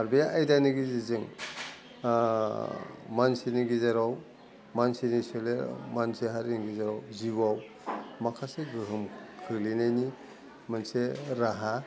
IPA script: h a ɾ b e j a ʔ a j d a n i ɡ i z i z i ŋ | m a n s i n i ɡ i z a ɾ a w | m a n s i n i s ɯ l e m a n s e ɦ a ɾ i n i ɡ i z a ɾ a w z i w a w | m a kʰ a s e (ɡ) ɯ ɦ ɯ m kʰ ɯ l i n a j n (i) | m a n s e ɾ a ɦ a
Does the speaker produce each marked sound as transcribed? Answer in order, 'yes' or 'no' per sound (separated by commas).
yes, yes